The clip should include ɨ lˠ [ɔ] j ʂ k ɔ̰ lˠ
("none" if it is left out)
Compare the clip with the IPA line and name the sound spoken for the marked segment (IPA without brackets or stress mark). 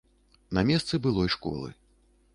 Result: ɔ